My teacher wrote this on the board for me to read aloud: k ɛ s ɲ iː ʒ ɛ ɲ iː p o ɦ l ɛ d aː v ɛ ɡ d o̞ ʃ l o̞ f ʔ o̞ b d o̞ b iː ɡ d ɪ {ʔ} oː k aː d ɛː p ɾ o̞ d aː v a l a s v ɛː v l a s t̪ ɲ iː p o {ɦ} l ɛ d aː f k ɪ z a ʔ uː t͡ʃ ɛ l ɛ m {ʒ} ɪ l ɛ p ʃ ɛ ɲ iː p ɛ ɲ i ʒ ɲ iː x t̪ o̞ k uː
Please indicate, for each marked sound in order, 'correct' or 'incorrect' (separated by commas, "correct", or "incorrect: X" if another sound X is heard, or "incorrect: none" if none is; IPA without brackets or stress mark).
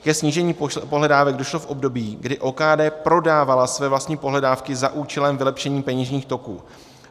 correct, correct, incorrect: v